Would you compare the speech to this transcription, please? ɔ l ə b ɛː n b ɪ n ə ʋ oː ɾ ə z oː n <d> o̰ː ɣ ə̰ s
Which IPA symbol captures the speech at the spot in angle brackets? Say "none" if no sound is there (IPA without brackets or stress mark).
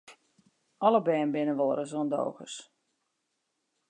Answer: d